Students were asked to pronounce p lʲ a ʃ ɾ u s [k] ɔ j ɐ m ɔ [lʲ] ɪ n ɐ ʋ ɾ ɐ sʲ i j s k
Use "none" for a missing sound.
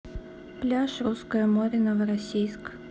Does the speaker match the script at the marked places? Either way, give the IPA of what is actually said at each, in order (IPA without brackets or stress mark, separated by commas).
k, ɾʲ